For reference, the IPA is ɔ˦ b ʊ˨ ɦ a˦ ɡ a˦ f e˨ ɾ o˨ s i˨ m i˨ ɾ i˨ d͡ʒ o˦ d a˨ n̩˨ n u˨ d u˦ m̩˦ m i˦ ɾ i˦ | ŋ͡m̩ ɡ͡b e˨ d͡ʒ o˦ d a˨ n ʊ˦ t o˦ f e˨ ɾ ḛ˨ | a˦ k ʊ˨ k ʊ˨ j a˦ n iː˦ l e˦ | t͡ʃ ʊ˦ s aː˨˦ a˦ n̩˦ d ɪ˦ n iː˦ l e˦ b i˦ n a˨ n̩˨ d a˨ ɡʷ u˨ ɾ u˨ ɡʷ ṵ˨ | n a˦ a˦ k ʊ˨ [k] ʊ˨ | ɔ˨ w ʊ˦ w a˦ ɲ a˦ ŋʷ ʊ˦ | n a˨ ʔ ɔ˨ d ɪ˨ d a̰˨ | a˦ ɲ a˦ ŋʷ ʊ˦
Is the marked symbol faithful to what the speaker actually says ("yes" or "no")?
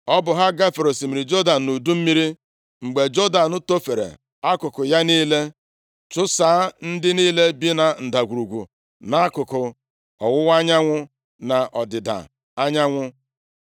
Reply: yes